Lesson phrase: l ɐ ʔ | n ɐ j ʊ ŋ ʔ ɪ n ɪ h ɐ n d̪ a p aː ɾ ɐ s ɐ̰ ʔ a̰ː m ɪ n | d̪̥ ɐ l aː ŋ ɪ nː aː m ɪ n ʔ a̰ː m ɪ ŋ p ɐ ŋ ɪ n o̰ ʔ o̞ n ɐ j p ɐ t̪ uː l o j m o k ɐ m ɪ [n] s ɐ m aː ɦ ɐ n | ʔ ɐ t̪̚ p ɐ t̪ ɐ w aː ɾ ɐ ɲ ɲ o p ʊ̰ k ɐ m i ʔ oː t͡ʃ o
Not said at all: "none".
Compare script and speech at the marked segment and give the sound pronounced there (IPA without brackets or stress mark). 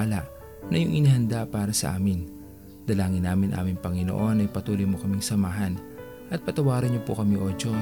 ŋ